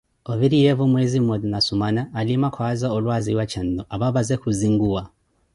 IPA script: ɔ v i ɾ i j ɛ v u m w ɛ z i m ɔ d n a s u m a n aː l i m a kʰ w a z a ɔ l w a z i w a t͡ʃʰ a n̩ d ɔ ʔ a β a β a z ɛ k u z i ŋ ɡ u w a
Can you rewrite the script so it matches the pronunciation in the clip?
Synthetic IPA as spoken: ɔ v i ɾ i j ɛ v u m w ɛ z i m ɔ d n a s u m a n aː l i m a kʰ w a z a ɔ l w a z i w a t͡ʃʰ a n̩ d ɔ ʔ a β a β a z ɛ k u z i ŋ ɡ u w a

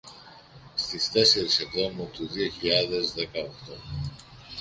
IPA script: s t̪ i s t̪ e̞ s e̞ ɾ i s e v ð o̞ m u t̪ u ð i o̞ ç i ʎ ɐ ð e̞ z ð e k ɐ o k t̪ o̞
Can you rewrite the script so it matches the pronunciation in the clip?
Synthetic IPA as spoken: s t̪ i s t̪ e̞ s e̞ ɾ i s e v ð o̞ m u t̪ u ð i o̞ ç i ʎ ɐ ð e̞ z ð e k ɐ o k t̪ o̞

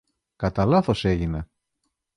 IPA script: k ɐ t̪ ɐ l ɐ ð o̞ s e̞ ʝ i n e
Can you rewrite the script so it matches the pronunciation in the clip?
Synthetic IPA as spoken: k ɐ t̪ ɐ l ɐ θ o̞ s e̞ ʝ i n e

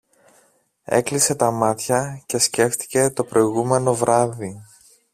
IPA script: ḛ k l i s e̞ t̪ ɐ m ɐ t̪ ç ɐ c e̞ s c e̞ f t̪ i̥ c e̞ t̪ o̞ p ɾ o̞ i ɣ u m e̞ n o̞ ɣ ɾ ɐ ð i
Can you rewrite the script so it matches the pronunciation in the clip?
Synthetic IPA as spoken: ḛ k l i s e̞ t̪ ɐ m ɐ t̪ ç ɐ c e̞ s c e̞ f t̪ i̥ c e̞ t̪ o̞ p ɾ o̞ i ɣ u m e̞ n o̞ v ɾ ɐ ð i

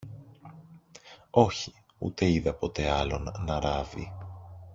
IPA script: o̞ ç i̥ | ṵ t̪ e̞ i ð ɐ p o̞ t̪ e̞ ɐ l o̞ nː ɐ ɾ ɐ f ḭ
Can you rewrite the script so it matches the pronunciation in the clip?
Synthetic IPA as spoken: o̞ ç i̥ | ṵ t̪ e̞ i ð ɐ p o̞ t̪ e̞ ɐ l o̞ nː ɐ ɾ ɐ v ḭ

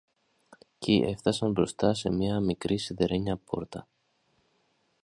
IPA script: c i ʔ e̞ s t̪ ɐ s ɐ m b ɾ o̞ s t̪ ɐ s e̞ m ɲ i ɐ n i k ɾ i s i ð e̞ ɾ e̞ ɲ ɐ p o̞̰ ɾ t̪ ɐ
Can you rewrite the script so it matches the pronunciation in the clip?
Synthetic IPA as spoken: c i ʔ e̞ f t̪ ɐ s ɐ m b ɾ o̞ s t̪ ɐ s e̞ m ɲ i ɐ m i k ɾ i s i ð e̞ ɾ e̞ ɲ ɐ p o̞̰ ɾ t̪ ɐ

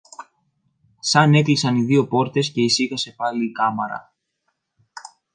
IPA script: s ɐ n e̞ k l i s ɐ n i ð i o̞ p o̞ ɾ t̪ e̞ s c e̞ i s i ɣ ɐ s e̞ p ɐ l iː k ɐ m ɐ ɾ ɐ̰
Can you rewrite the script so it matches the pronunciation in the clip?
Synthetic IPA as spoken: s ɐ n e̞ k l i s ɐ n i ð i o̞ p o̞ ɾ t̪ e̞ s c e̞ i s i ɣ ɐ s e̞ p ɐ l iː k ɐ m ɐ ɾ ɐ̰

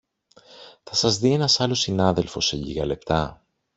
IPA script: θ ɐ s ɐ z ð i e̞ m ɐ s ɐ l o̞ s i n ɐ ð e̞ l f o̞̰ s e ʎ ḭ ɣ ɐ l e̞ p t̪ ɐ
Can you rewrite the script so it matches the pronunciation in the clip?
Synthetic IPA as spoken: θ ɐ s ɐ z ð i e̞ n ɐ s ɐ l o̞ s i n ɐ ð e̞ l f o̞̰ s e ʎ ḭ ɣ ɐ l e̞ p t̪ ɐ

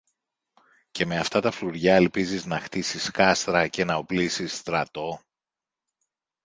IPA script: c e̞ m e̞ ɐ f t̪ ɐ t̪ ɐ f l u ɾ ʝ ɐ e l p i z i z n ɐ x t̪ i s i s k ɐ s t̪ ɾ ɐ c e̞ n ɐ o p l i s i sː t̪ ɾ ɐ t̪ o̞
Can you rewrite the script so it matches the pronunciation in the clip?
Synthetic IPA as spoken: c e̞ m e̞ ɐ f t̪ ɐ t̪ ɐ f l u ɾ ʝ ɐ e l p i z i z n ɐ x t̪ i s i s k ɐ s t̪ ɾ ɐ c e̞ n ɐ o p l i s i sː t̪ ɾ ɐ t̪ o̞

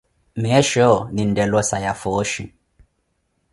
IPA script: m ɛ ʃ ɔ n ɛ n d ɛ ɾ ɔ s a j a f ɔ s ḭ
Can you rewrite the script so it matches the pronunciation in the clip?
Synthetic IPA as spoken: m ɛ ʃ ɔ n i n d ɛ l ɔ s a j a f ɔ ʃ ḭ

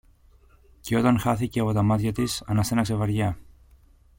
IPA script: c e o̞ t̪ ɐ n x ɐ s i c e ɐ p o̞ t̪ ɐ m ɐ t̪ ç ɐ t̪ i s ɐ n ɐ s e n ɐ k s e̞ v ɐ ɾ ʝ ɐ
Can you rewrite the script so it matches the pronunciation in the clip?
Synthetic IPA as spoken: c e o̞ t̪ ɐ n x ɐ θ i c e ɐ p o̞ t̪ ɐ m ɐ t̪ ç ɐ t̪ i s ɐ n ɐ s e n ɐ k s e̞ v ɐ ɾ ʝ ɐ

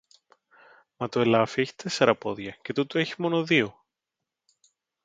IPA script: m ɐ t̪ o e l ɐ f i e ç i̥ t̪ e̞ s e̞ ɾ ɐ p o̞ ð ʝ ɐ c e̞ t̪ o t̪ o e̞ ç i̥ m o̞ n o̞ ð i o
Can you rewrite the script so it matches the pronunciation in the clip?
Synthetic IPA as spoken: m ɐ t̪ o e l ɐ f i e ç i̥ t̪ e̞ s e̞ ɾ ɐ p o̞ ð ʝ ɐ c e̞ t̪ u t̪ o e̞ ç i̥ m o̞ n o̞ ð i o

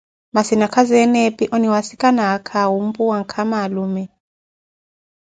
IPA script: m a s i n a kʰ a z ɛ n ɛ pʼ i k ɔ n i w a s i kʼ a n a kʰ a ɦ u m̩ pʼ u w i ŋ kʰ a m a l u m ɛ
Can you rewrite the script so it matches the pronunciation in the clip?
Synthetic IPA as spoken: m a s i n a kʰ a z ɛ n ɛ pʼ i ʔ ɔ n i w a s i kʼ a n a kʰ a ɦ u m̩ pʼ u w a ŋ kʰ a m a l u m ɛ

